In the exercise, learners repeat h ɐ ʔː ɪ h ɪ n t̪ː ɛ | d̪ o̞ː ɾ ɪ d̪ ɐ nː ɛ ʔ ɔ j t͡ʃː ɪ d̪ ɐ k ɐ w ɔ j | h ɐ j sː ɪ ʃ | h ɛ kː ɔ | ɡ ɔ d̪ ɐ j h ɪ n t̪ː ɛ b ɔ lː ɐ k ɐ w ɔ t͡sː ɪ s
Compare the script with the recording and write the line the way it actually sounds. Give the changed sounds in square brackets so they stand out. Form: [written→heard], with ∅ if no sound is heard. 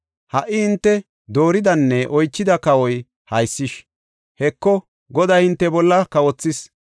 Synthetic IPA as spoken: h ɐ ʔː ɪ h ɪ n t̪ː ɛ | d̪ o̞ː ɾ ɪ d̪ ɐ nː ɛ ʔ ɔ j t͡ʃː ɪ d̪ ɐ k ɐ w ɔ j | h ɐ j sː ɪ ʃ | h ɛ kː ɔ | ɡ ɔ d̪ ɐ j h ɪ n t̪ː ɛ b ɔ lː ɐ k ɐ w ɔ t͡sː ɪ s

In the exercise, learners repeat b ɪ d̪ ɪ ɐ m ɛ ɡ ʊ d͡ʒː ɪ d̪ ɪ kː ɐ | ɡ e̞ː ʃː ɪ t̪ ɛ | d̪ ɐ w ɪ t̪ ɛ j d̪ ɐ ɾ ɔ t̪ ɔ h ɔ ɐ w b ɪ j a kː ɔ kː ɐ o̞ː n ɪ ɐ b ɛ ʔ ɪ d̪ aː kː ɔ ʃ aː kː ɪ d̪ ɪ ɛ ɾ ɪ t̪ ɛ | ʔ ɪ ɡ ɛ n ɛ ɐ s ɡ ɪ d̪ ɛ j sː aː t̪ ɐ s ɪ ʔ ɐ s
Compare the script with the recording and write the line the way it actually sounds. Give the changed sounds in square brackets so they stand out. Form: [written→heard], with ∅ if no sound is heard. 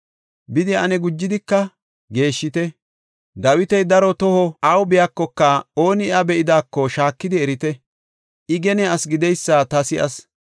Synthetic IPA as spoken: b ɪ d̪ ɪ ɐ [m→n] ɛ ɡ ʊ d͡ʒː ɪ d̪ ɪ kː ɐ | ɡ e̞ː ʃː ɪ t̪ ɛ | d̪ ɐ w ɪ t̪ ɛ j d̪ ɐ ɾ ɔ t̪ ɔ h ɔ ɐ w b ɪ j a kː ɔ kː ɐ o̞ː n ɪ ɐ b ɛ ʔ ɪ d̪ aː kː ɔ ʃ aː kː ɪ d̪ ɪ ɛ ɾ ɪ t̪ ɛ | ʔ ɪ ɡ ɛ n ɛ ɐ s ɡ ɪ d̪ ɛ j sː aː t̪ ɐ s ɪ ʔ ɐ s

